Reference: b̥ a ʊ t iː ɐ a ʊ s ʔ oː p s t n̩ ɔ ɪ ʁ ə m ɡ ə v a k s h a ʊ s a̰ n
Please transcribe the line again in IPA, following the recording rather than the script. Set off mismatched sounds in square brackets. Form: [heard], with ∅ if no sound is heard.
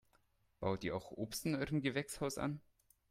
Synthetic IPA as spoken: b̥ a ʊ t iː ɐ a ʊ [x] ʔ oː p s t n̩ ɔ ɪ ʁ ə m ɡ ə v [ɛ] k s h a ʊ s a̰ n